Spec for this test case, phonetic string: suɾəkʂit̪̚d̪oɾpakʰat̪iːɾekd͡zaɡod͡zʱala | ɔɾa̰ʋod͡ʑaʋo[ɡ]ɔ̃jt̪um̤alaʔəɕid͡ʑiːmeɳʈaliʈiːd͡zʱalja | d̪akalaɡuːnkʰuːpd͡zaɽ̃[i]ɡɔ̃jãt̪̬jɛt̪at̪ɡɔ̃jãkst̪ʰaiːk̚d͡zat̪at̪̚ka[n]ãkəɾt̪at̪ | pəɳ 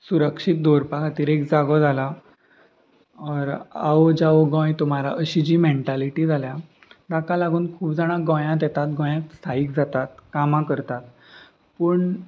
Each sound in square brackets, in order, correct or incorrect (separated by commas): correct, incorrect, incorrect